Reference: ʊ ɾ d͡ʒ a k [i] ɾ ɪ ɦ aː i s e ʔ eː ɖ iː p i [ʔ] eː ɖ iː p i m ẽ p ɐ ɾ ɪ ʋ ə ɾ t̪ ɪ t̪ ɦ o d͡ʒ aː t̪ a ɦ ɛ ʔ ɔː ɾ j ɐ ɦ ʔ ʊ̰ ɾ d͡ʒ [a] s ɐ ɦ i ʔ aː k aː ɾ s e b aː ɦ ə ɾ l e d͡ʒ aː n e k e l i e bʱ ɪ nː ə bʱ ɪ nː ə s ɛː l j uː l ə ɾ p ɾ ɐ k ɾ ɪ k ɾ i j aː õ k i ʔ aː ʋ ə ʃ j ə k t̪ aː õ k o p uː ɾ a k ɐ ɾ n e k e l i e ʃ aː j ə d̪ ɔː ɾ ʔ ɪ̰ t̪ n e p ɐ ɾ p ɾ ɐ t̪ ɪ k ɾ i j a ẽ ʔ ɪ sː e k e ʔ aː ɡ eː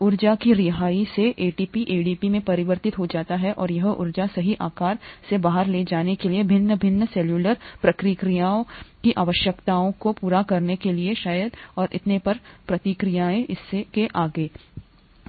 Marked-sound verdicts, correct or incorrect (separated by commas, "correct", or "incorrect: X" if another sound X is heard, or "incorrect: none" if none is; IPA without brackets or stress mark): correct, correct, correct